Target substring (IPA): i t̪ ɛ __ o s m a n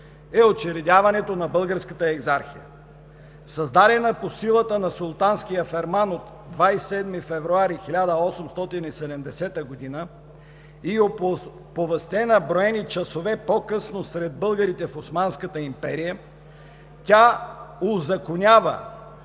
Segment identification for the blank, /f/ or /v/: f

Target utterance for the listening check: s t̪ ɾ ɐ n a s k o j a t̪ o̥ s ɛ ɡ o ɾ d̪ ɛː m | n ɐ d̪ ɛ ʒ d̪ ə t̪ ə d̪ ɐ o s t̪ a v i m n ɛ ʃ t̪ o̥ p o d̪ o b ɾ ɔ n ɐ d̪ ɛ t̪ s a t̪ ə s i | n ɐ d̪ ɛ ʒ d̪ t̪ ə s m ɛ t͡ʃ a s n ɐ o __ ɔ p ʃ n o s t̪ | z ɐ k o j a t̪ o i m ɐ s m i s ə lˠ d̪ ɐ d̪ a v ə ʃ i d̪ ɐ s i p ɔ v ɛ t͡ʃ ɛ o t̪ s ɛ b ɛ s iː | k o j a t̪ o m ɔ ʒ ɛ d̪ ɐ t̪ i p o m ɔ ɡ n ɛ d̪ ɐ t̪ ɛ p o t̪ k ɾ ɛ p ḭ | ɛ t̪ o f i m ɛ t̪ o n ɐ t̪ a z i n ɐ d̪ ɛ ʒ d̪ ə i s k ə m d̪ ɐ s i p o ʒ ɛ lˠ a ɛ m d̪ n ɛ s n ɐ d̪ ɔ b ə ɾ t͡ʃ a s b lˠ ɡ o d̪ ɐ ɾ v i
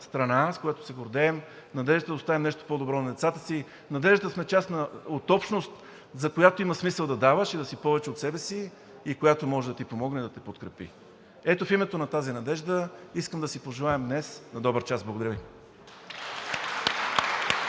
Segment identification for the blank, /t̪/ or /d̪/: t̪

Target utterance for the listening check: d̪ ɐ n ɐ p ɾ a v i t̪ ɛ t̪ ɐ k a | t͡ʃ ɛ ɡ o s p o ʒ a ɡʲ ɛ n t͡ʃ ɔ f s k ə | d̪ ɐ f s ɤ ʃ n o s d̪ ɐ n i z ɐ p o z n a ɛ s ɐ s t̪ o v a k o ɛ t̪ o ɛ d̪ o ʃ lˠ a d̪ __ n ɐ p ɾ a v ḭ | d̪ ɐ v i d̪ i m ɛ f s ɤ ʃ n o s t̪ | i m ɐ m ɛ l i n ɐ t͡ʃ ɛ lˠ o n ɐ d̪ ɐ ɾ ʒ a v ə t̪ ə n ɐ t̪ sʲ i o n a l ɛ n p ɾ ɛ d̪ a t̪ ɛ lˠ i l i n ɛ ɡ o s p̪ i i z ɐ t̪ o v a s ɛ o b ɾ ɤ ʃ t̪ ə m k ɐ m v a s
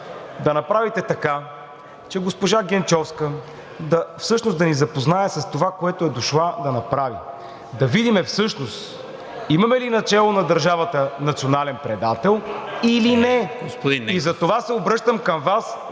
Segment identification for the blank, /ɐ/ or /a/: ɐ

